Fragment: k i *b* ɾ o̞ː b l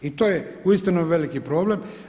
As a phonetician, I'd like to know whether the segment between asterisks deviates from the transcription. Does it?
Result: yes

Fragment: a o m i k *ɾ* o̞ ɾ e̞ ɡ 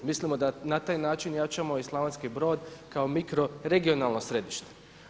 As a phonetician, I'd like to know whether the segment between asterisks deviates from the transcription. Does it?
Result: no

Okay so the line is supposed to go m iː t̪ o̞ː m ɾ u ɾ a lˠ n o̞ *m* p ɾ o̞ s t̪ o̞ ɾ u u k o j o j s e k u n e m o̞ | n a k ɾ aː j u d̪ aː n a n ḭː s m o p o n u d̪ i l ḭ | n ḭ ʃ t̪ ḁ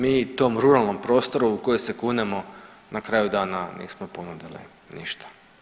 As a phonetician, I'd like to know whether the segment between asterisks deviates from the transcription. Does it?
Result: no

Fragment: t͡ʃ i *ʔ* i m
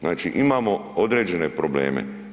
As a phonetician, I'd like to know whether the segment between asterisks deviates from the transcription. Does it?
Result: no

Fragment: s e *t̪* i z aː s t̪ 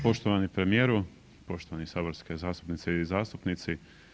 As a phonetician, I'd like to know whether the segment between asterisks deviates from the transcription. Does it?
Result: yes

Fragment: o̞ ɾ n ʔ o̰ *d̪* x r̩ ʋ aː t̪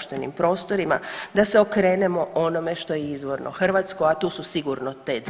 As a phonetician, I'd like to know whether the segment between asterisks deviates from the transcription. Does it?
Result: yes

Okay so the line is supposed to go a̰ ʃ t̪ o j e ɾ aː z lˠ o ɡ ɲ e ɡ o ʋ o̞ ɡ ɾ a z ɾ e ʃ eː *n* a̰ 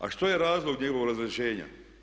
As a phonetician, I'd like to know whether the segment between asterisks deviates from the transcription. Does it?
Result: yes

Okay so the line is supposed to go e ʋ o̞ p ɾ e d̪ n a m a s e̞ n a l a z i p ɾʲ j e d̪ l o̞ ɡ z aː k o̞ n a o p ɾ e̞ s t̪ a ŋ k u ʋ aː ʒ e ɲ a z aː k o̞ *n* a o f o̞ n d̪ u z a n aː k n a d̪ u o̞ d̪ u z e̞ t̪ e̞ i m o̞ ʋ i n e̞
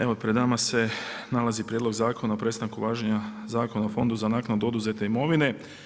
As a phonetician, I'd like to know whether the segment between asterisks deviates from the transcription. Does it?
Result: no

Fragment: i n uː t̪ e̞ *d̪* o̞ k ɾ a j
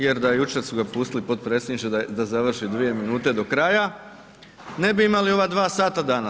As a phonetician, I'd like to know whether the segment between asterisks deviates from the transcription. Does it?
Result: no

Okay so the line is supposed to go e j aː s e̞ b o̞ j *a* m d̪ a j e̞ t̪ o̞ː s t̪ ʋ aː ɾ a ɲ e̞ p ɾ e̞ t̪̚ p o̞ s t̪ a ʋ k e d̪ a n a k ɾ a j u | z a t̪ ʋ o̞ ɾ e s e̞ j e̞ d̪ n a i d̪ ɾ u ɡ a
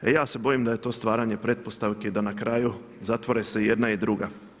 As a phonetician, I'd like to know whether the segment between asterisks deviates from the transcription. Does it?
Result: yes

